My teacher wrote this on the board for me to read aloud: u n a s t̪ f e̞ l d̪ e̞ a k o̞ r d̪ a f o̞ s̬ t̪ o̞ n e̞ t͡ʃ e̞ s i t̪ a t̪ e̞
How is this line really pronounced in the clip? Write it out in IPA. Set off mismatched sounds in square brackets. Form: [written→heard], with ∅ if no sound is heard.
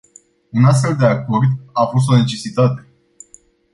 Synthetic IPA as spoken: u n a s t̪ f e̞ l d̪ e̞ a k o̞ r d̪ a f o̞ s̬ t̪ o̞ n e̞ t͡ʃ e̞ s i t̪ a t̪ e̞